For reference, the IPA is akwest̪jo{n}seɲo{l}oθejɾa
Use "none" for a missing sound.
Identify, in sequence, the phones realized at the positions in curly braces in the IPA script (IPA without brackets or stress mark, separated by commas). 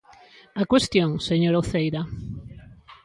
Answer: ŋ, ɾ